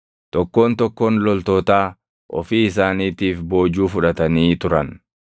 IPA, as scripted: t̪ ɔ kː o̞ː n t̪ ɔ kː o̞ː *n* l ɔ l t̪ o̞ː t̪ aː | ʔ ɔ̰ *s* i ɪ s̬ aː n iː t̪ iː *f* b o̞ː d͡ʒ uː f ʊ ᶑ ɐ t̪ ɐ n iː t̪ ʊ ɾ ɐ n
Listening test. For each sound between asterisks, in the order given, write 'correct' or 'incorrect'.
correct, incorrect: f, correct

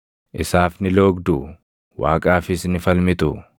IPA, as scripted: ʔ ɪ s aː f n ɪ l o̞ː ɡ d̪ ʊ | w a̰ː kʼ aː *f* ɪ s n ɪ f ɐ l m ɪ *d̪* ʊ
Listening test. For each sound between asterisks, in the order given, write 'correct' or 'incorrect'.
correct, incorrect: t̪

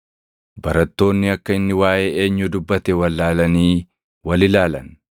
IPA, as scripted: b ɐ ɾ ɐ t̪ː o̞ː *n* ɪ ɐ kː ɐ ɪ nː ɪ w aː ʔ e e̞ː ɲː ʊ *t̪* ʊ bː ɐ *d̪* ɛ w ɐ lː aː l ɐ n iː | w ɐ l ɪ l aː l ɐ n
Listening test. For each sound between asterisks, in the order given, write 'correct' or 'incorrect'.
incorrect: nː, incorrect: d̪, incorrect: t̪

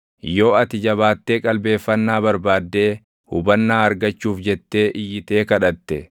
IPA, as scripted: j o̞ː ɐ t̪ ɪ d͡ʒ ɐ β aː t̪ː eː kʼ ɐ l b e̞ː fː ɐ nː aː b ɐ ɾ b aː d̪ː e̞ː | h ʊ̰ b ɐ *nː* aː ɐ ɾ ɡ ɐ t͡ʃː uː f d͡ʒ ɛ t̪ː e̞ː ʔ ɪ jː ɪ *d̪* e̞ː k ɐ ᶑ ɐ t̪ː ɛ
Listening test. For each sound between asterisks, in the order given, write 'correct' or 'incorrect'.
correct, incorrect: t̪

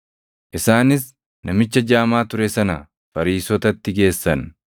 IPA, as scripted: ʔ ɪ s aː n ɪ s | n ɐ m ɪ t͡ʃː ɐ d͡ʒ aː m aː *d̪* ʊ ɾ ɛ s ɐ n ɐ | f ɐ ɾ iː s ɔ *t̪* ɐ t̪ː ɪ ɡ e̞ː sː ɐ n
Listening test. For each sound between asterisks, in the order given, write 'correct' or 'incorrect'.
incorrect: t̪, correct

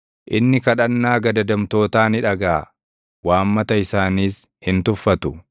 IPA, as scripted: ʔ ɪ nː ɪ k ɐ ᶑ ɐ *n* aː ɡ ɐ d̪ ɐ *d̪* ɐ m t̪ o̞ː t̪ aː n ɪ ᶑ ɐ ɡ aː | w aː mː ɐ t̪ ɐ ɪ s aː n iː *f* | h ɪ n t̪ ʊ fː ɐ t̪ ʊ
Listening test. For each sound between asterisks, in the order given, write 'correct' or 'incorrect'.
incorrect: nː, correct, incorrect: s

